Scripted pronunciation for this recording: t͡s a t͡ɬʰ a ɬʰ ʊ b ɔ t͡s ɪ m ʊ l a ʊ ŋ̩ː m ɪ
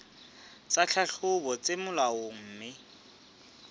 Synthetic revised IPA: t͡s a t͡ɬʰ a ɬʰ ʊ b ɔ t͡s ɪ m ʊ l a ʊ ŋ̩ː m ɪ